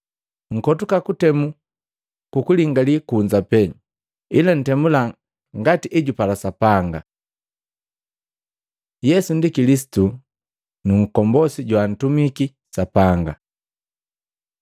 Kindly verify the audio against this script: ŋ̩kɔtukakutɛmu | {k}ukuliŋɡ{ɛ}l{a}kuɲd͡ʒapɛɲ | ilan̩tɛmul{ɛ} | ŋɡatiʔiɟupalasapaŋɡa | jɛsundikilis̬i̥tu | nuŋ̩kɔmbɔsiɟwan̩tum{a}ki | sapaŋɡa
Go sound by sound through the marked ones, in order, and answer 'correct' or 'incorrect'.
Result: correct, incorrect: a, incorrect: i, incorrect: a, incorrect: i

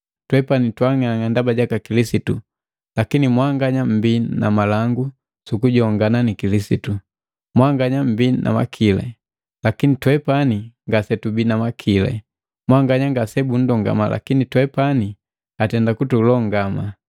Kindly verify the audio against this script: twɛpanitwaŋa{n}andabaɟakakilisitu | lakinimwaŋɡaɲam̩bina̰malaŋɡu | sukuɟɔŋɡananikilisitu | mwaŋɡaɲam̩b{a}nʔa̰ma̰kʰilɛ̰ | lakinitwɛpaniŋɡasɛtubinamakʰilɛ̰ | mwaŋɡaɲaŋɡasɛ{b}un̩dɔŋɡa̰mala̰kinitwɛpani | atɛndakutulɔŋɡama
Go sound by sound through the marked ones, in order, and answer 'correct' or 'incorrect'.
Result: incorrect: ŋ, incorrect: i, correct

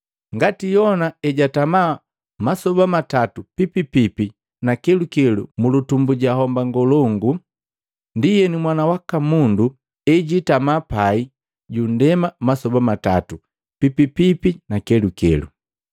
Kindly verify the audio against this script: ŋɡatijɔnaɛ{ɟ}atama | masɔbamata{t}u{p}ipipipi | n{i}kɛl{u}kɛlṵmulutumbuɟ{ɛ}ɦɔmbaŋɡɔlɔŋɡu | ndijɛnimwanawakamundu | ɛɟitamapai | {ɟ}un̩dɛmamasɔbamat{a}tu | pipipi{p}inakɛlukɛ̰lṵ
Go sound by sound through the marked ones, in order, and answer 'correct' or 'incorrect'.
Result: correct, correct, correct, incorrect: a, correct, incorrect: a, correct, correct, correct

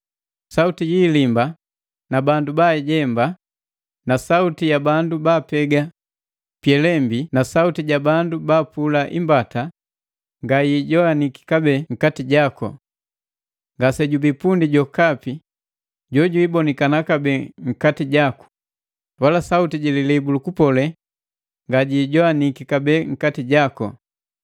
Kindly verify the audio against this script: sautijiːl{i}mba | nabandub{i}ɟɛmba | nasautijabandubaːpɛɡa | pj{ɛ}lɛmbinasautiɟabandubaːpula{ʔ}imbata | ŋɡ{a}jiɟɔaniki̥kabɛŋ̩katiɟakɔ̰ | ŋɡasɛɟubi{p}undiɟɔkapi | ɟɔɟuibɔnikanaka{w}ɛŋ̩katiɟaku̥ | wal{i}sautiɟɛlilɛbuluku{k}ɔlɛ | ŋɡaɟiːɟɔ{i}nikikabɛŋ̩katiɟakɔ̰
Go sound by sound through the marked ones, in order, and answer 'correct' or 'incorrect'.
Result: correct, incorrect: a, correct, correct, correct, correct, incorrect: b, incorrect: a, incorrect: p, incorrect: a

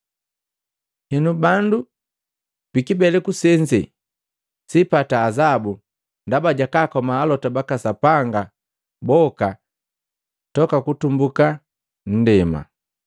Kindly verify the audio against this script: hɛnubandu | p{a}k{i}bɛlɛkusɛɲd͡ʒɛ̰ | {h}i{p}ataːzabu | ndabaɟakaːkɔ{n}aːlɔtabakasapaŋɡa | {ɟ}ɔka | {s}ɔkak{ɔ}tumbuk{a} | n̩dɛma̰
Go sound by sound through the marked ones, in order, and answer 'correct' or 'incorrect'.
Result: incorrect: i, correct, incorrect: s, correct, incorrect: m, incorrect: b, incorrect: t, incorrect: u, correct

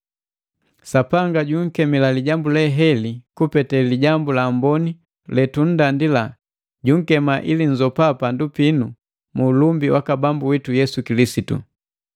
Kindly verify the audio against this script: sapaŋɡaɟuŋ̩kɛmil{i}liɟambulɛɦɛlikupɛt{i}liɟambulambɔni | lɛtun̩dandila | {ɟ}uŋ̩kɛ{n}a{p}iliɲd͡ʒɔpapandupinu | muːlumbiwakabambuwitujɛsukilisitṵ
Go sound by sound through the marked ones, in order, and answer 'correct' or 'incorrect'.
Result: incorrect: a, incorrect: ɛ, correct, incorrect: m, incorrect: ʔ

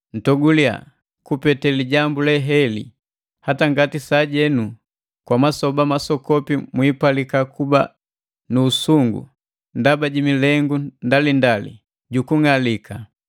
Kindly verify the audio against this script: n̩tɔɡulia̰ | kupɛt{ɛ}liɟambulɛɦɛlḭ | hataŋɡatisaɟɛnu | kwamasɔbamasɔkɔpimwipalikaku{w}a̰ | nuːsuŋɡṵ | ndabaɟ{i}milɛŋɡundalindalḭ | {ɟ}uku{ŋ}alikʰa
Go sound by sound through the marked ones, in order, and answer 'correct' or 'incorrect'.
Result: correct, incorrect: b, correct, correct, correct

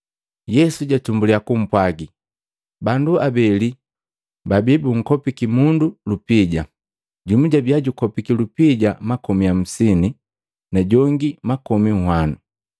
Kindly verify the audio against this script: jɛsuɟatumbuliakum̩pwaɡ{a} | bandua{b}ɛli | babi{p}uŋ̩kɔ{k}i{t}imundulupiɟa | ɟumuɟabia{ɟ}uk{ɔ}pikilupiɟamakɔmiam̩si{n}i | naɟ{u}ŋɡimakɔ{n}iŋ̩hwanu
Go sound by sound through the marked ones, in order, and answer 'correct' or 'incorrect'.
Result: incorrect: i, correct, incorrect: b, incorrect: p, incorrect: k, correct, correct, correct, incorrect: ɔ, incorrect: m

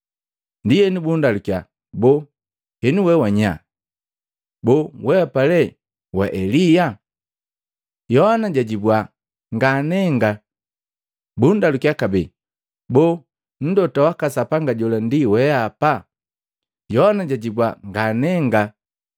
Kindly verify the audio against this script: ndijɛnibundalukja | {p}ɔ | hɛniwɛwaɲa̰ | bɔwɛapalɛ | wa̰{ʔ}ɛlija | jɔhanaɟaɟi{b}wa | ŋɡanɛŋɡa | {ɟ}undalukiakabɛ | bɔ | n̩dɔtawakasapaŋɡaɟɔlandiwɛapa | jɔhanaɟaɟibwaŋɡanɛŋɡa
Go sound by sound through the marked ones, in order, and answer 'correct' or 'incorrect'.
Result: incorrect: b, correct, correct, incorrect: b

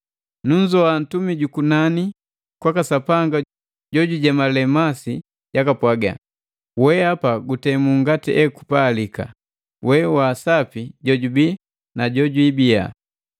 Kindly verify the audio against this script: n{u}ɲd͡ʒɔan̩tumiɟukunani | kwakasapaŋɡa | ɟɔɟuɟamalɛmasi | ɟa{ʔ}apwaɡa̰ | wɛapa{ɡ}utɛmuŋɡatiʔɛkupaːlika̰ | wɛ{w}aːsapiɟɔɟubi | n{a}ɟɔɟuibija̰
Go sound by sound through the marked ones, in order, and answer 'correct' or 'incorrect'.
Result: correct, incorrect: k, correct, correct, correct

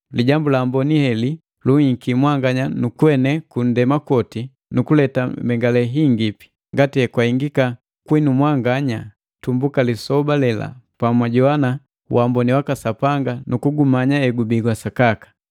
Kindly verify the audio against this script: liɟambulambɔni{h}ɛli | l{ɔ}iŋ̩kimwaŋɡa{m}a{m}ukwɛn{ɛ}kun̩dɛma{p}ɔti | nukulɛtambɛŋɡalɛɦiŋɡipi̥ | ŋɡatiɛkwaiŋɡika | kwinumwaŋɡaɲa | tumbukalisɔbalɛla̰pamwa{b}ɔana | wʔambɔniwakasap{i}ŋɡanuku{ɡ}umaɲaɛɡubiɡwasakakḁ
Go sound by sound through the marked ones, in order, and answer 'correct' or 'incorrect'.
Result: correct, incorrect: u, incorrect: ɲ, incorrect: n, correct, incorrect: k, incorrect: ɟ, incorrect: a, correct

